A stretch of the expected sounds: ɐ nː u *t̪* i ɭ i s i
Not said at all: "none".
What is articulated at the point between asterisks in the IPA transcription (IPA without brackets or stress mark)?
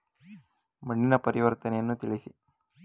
t̪